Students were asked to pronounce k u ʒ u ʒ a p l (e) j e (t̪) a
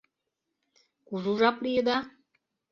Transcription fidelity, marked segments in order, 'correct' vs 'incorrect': incorrect: i, incorrect: d̪

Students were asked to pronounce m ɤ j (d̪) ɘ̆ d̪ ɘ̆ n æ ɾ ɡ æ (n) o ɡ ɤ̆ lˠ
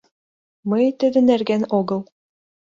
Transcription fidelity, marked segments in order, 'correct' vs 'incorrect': incorrect: t̪, correct

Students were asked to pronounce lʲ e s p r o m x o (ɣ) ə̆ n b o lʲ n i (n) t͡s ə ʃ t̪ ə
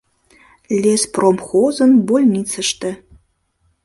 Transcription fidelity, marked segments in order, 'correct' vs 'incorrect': incorrect: z, incorrect: none

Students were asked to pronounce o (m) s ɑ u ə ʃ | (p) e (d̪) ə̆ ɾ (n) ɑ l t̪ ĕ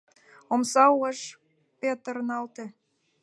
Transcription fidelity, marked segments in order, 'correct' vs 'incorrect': correct, correct, incorrect: t̪, correct

